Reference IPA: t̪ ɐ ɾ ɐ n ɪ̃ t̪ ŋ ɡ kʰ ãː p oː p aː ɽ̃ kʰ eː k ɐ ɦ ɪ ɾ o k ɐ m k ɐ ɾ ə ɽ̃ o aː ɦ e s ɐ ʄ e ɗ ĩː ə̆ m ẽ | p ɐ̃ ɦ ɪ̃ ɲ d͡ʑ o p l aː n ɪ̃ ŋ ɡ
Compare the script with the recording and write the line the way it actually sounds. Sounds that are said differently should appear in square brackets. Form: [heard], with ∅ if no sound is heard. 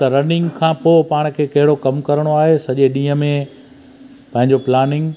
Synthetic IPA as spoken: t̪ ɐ ɾ ɐ n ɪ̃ [∅] ŋ ɡ kʰ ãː p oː p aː ɽ̃ kʰ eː k ɐ ɦ ɪ [ɽ] o k ɐ m k ɐ ɾ ə ɽ̃ o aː ɦ e s ɐ ʄ e ɗ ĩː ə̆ m ẽ | p ɐ̃ ɦ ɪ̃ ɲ d͡ʑ o p l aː n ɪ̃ ŋ ɡ